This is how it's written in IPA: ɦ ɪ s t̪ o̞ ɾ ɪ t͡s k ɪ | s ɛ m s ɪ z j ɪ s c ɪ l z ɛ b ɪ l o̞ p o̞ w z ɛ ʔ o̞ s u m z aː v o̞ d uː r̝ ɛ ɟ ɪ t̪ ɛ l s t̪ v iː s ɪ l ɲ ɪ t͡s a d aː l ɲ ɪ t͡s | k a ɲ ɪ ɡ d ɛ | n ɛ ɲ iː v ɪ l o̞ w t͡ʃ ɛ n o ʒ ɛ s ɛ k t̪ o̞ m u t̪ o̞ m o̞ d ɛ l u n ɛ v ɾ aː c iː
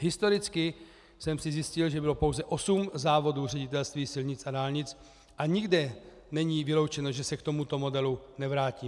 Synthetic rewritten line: ɦ ɪ s t̪ o̞ ɾ ɪ t͡s k ɪ | s ɛ m s ɪ z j ɪ s c ɪ l ʒ ɛ b ɪ l o̞ p o̞ w z ɛ ʔ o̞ s u m z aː v o̞ d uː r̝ ɛ ɟ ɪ t̪ ɛ l s t̪ v iː s ɪ l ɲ ɪ t͡s a d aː l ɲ ɪ t͡s | ʔ a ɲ ɪ ɡ d ɛ | n ɛ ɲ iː v ɪ l o̞ w t͡ʃ ɛ n o ʒ ɛ s ɛ k t̪ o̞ m u t̪ o̞ m o̞ d ɛ l u n ɛ v ɾ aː c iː